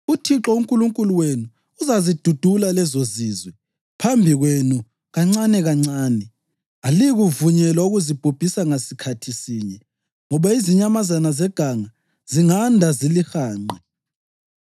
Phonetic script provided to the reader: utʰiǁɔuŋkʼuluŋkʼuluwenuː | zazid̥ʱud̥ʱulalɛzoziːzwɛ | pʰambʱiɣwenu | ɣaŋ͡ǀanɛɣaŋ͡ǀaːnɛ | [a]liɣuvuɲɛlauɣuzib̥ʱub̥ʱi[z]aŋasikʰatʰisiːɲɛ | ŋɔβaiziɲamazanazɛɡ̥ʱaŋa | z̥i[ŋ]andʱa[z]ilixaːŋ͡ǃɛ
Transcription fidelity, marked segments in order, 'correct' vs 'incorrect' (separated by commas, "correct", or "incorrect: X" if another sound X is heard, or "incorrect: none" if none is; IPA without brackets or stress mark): correct, incorrect: s, correct, correct